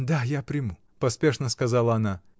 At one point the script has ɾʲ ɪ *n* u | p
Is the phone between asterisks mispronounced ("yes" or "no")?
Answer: yes